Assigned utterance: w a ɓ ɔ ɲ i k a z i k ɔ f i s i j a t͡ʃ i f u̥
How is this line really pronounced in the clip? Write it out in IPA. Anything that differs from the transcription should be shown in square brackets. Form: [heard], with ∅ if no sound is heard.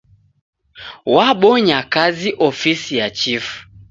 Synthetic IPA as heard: w a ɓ ɔ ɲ [a] k a z i [ʔ] ɔ f i s i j a t͡ʃ i f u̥

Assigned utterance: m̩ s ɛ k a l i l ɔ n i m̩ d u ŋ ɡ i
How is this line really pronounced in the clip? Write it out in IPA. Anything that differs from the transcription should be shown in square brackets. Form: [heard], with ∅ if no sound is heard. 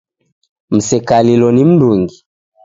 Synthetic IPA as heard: m̩ s ɛ k a l i l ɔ n i m̩ d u ŋ ɡ i

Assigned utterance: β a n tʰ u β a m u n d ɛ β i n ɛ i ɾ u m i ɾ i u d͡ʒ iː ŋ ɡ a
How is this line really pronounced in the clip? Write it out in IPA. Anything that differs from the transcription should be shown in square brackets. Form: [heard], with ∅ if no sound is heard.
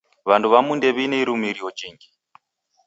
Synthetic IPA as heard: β a n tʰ u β a m u n d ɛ β i n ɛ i ɾ u m i ɾ i [ɔ] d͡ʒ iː ŋ ɡ [i]

